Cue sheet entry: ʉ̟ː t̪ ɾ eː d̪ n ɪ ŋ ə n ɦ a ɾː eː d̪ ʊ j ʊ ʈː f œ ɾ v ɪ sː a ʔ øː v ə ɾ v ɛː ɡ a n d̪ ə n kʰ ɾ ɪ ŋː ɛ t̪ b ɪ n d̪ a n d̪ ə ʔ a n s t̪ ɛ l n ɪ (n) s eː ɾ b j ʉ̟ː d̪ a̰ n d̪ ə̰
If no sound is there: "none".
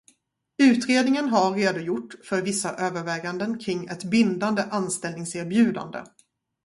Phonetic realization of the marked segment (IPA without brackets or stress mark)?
ŋ